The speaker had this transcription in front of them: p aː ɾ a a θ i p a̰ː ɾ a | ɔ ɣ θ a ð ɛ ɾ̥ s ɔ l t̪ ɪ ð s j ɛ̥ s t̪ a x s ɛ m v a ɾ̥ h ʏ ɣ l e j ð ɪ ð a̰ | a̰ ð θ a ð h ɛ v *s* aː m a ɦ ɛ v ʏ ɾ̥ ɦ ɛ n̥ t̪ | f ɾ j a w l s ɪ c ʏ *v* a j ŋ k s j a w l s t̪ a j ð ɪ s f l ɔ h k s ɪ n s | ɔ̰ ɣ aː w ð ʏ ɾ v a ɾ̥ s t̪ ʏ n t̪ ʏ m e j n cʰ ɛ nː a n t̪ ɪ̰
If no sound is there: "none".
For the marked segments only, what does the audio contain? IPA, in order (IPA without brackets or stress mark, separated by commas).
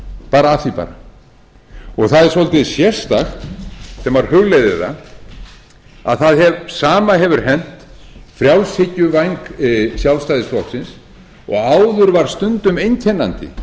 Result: s, v